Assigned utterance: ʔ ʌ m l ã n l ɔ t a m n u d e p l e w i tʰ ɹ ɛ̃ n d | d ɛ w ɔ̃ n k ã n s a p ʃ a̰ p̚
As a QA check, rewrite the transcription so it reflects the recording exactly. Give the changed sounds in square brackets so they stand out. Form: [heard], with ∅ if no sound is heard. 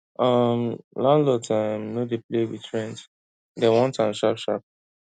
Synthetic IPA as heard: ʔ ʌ m l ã n l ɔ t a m n [o] d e p l e w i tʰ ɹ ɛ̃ n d | d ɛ w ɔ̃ n [t] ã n [ʃ] a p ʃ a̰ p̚